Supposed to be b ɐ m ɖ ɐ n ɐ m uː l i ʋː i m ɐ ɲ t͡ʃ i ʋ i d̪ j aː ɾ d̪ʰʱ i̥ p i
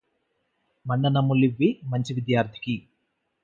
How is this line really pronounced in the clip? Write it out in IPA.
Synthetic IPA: m ɐ ɳ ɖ ɐ n ɐ m u l i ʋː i m ɐ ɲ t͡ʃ i ʋ i d̪ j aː ɾ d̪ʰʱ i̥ k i